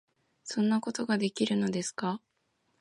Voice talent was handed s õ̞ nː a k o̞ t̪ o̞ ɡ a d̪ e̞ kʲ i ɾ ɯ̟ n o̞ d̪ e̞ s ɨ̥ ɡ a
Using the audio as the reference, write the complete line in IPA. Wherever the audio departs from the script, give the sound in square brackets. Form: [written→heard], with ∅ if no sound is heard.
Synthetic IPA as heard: s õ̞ nː a k o̞ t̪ o̞ ɡ a d̪ e̞ kʲ i ɾ ɯ̟ n o̞ d̪ e̞ s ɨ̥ [ɡ→k] a